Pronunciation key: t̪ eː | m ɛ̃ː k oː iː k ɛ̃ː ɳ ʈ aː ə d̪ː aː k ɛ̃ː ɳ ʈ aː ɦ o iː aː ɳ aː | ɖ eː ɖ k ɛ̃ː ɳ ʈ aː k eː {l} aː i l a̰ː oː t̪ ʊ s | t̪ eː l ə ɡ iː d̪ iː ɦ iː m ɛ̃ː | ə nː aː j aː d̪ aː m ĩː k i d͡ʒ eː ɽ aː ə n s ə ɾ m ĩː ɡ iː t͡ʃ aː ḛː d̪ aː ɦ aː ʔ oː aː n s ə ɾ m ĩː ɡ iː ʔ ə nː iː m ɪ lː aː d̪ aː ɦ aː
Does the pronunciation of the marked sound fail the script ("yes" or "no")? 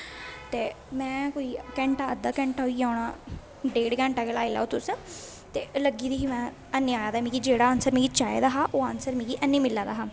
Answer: no